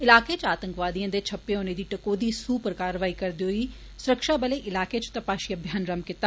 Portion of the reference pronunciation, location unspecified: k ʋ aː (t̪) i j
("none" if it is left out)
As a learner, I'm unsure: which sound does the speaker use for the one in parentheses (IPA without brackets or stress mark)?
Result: d̪